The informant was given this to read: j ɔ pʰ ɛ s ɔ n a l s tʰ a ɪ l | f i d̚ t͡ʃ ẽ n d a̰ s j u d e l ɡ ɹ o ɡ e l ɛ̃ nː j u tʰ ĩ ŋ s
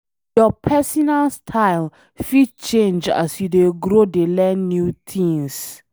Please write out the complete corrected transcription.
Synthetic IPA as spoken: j ɔ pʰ ɛ s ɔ n a l s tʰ a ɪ l | f i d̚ t͡ʃ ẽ n d͡ʒ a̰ s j u d e ɡ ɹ o d e l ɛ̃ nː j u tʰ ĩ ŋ s